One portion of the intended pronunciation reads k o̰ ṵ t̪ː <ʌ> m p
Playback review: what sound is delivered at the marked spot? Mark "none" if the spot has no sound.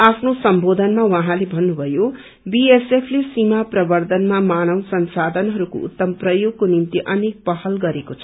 ʌ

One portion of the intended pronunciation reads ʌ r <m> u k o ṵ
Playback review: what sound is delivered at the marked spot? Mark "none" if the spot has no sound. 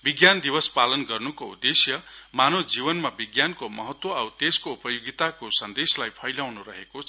n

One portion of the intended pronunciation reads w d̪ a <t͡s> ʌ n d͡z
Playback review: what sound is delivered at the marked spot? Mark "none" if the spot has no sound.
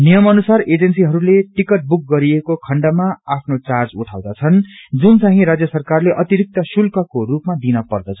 t͡sʰ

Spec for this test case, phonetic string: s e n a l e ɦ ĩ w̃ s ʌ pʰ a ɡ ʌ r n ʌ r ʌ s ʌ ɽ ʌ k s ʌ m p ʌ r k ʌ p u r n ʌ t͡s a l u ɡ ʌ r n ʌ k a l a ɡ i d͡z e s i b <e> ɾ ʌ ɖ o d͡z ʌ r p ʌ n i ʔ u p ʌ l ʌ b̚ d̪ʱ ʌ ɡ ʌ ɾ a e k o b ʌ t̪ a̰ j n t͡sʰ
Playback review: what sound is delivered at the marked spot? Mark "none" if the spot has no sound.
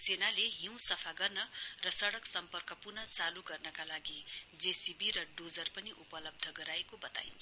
i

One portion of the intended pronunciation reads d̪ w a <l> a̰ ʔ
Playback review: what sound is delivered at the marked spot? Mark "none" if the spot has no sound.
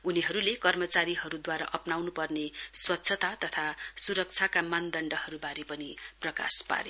ɾ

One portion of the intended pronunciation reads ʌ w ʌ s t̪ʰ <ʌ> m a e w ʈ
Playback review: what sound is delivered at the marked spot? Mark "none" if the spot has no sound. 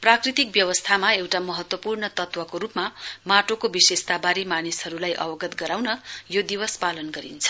a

